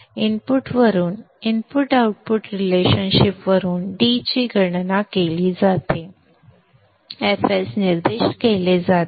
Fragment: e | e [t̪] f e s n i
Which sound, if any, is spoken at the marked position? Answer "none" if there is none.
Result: none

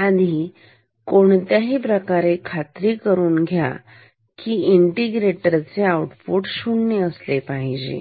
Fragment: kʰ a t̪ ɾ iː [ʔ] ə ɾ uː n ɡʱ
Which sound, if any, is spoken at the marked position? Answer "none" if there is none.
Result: k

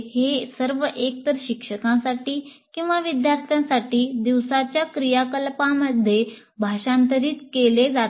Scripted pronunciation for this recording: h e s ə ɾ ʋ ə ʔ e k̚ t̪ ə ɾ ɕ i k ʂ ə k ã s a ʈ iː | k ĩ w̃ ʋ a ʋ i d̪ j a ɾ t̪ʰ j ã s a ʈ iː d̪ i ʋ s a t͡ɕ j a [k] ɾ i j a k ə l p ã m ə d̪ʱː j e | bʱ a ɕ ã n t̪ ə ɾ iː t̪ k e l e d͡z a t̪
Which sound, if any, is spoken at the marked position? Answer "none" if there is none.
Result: k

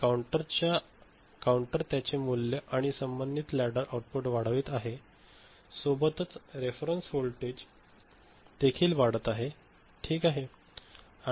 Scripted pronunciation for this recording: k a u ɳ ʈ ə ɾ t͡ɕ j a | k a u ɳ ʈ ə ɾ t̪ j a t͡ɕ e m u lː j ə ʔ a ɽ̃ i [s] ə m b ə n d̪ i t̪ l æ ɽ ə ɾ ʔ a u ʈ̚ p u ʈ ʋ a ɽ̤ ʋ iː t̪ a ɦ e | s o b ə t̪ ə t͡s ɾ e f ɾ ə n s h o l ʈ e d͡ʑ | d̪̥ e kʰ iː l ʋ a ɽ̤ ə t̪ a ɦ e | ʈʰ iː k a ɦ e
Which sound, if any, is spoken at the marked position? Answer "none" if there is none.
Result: s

